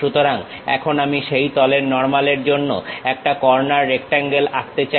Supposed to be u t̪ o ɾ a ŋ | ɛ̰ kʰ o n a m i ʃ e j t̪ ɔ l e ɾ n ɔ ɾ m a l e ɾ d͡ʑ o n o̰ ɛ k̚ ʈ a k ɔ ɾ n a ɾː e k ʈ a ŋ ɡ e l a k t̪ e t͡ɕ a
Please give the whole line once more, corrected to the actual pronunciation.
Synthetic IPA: u t̪ o ɾ a ŋ | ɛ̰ kʰ o n a m i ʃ e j t̪ ɔ l e ɾ n ɔ ɾ m a l e ɾ d͡ʑ o nː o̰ ɛ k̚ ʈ a k ɔ ɾ n a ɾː e k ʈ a ŋ ɡ e l a k t̪ e t͡ɕ a